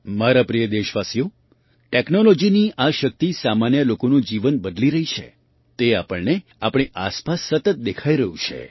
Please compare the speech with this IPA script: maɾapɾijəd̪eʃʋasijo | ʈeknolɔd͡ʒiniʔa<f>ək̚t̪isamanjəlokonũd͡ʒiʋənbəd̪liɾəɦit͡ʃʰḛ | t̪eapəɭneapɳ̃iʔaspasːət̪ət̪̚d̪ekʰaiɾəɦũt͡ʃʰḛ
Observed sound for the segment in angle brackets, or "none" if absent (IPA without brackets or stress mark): ʃ